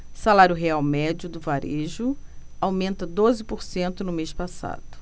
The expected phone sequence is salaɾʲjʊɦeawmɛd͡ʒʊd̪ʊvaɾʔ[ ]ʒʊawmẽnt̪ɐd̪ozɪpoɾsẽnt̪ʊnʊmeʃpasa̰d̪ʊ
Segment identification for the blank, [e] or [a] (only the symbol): e